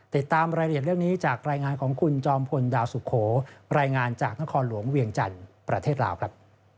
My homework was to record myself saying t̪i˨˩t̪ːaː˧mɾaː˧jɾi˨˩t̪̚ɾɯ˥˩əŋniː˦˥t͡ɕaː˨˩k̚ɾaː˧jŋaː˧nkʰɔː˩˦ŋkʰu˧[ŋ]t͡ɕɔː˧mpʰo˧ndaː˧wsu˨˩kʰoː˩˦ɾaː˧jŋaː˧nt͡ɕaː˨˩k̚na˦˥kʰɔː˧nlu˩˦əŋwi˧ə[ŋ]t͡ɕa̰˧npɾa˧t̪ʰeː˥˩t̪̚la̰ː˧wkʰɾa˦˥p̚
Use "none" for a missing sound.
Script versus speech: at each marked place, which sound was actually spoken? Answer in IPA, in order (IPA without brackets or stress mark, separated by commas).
n, ŋ